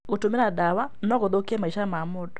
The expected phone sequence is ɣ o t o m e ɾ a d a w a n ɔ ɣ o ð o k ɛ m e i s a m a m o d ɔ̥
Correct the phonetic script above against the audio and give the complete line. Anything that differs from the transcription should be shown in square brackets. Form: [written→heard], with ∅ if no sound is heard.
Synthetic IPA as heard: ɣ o t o m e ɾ a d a w a n ɔ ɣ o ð o k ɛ m [e→a] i [s→ʃ] a m a m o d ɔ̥